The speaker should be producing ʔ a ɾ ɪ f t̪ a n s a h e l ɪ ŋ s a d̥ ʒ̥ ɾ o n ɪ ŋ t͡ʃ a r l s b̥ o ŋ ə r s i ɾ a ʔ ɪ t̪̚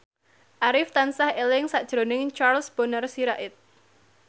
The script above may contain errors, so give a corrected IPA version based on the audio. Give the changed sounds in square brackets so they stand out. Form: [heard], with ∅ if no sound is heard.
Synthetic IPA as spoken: ʔ a ɾ ɪ f t̪ a n s a h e l ɪ ŋ s a d̥ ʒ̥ ɾ o n ɪ ŋ t͡ʃ a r l s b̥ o [n] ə r s i ɾ a ʔ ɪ t̪̚